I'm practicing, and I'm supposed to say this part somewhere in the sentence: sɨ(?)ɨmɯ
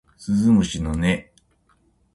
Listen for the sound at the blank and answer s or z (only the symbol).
z